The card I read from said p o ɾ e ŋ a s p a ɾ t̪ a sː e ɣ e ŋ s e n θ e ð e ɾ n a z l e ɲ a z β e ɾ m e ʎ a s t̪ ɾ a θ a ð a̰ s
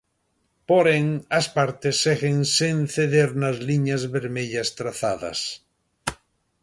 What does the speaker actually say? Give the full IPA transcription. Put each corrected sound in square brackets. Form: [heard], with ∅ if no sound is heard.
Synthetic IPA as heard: p o ɾ e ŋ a s p a ɾ t̪ [e] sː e ɣ e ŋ s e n θ e ð e ɾ n a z l [i] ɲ a z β e ɾ m e ʎ a s t̪ ɾ a θ a ð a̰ s